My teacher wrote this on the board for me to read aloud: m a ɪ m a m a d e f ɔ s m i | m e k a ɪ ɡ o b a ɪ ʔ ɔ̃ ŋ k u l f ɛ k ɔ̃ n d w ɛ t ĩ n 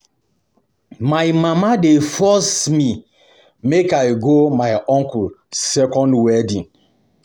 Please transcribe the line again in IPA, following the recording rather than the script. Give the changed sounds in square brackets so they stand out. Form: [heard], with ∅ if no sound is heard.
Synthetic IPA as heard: m a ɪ m a m a d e f ɔ s m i | m e k a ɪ ɡ o [m] a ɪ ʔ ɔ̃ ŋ k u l [s] ɛ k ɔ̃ n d w ɛ [d] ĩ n